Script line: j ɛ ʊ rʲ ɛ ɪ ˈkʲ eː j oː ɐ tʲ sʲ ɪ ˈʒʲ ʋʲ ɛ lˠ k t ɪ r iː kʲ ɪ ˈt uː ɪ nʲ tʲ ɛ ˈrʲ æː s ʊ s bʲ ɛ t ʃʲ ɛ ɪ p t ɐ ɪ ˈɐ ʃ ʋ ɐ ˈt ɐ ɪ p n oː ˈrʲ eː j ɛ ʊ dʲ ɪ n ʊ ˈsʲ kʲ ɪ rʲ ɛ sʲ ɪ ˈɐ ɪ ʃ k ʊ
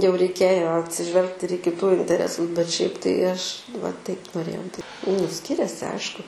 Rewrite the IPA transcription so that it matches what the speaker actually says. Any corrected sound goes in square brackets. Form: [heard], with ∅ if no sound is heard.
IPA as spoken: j ɛ ʊ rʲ ɛ ɪ ˈkʲ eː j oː ɐ tʲ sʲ ɪ ˈʒʲ ʋʲ ɛ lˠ k t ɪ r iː kʲ ɪ ˈt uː ɪ nʲ tʲ ɛ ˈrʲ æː s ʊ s bʲ ɛ t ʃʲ ɛ ɪ p t ɐ ɪ ˈɐ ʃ ʋ ɐ ˈt ɐ ɪ p n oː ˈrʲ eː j ɛ ʊ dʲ ɪ n ʊ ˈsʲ kʲ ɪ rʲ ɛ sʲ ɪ ˈɐ ɪ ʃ k ʊ

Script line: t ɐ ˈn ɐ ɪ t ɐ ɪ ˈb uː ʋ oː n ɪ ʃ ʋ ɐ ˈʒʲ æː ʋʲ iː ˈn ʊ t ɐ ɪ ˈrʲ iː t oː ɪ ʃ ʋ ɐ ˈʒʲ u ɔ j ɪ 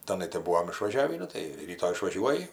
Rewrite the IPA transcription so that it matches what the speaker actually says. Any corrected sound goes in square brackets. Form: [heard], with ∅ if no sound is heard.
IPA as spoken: t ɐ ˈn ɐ ɪ t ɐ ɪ ˈb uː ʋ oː [m] ɪ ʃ ʋ ɐ ˈʒʲ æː ʋʲ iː ˈn ʊ t ɐ ɪ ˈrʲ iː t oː ɪ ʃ ʋ ɐ ˈʒʲ u ɔ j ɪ

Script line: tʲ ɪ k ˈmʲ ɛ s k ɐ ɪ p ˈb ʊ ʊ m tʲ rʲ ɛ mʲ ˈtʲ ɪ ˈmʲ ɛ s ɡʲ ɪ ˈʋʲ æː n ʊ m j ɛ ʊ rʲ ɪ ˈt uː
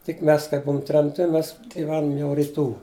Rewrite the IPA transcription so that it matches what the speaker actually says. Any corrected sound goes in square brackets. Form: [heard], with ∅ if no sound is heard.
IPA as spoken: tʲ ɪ k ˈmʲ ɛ s k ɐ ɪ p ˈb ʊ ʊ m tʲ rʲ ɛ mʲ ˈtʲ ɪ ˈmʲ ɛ s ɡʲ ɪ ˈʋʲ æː n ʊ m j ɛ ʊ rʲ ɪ ˈt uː

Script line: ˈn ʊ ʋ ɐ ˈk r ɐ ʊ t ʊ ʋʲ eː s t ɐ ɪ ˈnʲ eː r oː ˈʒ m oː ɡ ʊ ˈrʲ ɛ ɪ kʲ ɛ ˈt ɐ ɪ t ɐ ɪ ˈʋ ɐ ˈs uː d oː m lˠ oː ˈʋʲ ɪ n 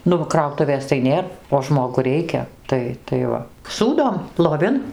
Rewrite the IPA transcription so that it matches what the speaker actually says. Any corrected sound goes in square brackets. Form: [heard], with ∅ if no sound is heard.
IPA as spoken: ˈn ʊ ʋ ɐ ˈk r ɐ ʊ t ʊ ʋʲ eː s t ɐ ɪ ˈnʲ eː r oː ˈʒ m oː ɡ ʊ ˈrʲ ɛ ɪ kʲ ɛ ˈt ɐ ɪ t ɐ ɪ ˈʋ ɐ ˈs uː d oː m lˠ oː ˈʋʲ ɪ n

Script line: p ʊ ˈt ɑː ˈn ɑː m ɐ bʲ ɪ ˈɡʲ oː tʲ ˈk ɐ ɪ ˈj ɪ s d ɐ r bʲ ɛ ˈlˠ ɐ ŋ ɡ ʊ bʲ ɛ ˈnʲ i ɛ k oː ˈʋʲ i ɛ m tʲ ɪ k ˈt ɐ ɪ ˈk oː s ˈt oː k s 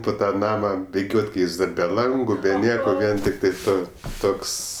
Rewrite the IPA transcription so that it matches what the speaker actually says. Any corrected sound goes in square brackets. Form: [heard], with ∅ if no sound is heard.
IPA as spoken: p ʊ ˈt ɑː ˈn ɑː m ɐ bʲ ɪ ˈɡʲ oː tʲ ˈk ɐ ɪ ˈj ɪ s d ɐ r bʲ ɛ ˈlˠ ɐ ŋ ɡ ʊ bʲ ɛ ˈnʲ i ɛ k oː ˈʋʲ i ɛ [n] tʲ ɪ k ˈt ɐ ɪ [ˈt] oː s ˈt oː k s

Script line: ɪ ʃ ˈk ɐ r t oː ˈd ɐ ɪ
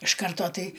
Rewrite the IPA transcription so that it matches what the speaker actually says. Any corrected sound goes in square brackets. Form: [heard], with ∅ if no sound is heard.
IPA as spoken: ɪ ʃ ˈk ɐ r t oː [ˈt] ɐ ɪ

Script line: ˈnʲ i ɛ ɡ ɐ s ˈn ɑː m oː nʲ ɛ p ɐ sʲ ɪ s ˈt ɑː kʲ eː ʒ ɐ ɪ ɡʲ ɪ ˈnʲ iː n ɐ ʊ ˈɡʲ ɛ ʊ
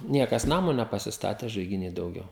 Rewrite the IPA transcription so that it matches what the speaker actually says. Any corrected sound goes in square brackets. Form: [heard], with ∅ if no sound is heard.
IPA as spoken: ˈnʲ i ɛ [k] ɐ s ˈn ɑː m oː nʲ ɛ p ɐ sʲ ɪ s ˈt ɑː [tʲ] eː ʒ ɐ ɪ ɡʲ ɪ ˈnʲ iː [d] ɐ ʊ ˈɡʲ ɛ ʊ

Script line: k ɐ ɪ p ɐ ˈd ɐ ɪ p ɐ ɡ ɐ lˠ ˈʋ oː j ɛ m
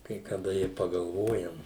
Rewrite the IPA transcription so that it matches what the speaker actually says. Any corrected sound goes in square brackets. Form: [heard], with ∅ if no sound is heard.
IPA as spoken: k ɐ ɪ [k] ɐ ˈd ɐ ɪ p ɐ ɡ ɐ lˠ ˈʋ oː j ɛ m

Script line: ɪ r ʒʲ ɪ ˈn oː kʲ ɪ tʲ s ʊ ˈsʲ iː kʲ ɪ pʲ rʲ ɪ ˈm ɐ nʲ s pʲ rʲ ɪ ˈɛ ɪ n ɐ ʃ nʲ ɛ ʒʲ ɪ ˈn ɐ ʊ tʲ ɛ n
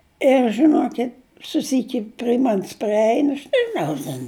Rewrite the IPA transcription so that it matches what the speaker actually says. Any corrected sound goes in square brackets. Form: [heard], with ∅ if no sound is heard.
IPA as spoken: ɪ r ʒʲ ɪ ˈn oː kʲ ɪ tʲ s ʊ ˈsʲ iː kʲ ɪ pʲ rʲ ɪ ˈm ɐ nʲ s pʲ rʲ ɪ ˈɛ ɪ n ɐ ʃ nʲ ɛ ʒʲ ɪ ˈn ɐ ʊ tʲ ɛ n

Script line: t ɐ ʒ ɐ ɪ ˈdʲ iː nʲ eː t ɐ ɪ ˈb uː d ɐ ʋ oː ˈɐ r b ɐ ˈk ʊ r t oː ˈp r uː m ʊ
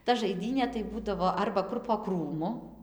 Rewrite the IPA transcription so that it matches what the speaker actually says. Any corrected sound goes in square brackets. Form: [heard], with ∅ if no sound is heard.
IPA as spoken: t ɐ ʒ ɐ ɪ ˈdʲ iː nʲ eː t ɐ ɪ ˈb uː d ɐ ʋ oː ˈɐ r b ɐ ˈk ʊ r [p] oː [ˈk] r uː m ʊ

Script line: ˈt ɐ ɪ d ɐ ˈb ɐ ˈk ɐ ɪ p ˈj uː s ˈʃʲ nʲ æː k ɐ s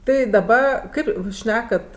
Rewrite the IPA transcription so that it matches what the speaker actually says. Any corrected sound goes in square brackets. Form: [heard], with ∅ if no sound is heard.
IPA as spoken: ˈt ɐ ɪ d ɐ ˈb ɐ ˈk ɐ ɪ p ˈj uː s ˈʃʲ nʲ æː k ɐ [t]

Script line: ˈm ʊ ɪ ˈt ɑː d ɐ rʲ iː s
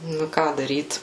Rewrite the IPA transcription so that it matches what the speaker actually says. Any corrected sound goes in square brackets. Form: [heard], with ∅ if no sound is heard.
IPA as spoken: [ˈn] ʊ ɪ [ˈk] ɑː d ɐ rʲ iː [t]

